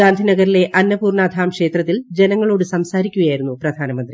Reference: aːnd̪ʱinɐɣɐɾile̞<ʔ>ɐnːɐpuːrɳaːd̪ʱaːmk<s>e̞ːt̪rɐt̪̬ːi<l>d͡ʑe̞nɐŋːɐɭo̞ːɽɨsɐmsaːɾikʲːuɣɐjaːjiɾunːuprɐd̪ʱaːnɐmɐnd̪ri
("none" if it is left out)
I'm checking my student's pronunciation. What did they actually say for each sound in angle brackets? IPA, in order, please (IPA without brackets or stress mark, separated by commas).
ʔ, ʂ, l